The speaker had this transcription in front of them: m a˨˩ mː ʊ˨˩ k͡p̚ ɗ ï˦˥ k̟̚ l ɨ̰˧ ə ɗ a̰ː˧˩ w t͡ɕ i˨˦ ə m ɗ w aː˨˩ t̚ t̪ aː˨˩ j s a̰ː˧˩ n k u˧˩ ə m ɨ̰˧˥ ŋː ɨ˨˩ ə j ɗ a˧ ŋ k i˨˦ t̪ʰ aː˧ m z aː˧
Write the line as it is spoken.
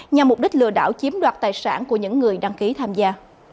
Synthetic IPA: ɲ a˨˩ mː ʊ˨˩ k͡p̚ ɗ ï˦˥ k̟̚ l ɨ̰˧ ə ɗ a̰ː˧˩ w t͡ɕ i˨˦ ə m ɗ w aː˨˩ t̚ t̪ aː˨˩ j s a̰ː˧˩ n k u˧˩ ə ɲ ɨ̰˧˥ ŋː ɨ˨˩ ə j ɗ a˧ ŋ k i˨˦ t̪ʰ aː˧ m z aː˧